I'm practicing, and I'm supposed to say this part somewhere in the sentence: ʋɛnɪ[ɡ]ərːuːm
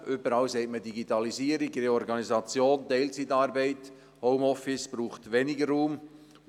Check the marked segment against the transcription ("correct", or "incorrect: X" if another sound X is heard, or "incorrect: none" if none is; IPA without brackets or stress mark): correct